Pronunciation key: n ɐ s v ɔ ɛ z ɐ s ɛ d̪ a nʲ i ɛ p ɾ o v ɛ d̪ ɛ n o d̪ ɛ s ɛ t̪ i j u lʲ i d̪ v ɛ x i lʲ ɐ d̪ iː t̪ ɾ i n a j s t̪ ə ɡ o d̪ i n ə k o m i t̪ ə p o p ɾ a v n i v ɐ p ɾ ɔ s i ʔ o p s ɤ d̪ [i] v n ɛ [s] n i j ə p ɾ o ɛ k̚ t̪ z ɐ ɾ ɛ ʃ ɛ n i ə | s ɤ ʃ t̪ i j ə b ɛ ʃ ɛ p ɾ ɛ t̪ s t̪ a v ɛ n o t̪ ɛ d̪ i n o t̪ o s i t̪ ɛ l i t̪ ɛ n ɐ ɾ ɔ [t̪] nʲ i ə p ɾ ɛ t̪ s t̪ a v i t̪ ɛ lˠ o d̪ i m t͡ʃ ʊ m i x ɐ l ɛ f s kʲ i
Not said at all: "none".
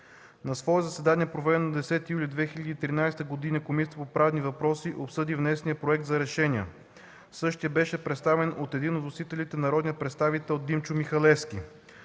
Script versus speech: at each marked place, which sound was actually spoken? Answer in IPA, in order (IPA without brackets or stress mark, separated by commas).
i, s, d̪